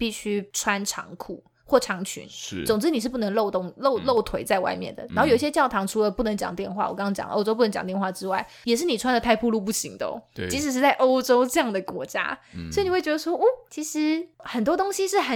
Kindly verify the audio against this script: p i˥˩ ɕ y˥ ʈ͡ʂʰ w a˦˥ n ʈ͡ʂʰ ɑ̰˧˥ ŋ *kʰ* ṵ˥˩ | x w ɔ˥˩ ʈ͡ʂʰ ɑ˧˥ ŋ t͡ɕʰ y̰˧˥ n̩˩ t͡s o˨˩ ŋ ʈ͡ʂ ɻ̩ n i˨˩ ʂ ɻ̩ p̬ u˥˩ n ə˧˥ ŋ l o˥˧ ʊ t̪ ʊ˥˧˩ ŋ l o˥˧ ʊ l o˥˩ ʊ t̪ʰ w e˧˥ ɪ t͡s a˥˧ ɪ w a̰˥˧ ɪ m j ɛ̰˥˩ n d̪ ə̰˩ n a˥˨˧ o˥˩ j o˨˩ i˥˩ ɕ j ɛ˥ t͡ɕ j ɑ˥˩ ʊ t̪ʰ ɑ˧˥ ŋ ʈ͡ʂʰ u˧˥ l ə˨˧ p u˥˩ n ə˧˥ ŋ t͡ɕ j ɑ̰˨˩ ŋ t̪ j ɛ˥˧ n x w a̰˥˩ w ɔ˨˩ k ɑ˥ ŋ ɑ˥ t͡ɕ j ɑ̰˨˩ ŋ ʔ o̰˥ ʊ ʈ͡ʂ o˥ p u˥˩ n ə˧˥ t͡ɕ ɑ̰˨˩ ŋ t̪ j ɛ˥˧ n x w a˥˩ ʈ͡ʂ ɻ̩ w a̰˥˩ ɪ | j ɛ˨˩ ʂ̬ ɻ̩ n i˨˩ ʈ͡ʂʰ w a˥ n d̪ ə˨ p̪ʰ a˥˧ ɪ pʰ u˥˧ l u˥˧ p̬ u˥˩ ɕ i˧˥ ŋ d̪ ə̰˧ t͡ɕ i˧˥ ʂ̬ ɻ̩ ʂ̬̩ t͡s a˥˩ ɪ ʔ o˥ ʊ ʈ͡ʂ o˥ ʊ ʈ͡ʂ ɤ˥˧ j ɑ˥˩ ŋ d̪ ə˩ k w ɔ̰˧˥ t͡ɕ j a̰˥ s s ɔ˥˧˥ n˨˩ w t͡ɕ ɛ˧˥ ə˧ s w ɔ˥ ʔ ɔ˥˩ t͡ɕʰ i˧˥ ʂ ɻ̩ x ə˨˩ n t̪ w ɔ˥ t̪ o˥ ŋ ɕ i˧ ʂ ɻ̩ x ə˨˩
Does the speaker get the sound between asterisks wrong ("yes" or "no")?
no